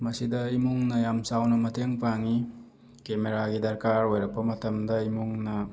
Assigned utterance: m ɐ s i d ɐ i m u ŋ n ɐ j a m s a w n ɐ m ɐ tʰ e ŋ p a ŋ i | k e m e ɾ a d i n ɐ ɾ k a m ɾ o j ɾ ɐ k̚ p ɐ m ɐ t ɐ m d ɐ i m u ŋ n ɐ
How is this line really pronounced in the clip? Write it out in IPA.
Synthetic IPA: m ɐ s i d ɐ i m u ŋ n ɐ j a m s a w n ɐ m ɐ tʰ e ŋ p a ŋ i | k e m e ɾ a ɡ i d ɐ ɾ k a ɾ o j ɾ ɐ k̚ p ɐ m ɐ t ɐ m d ɐ i m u ŋ n ɐ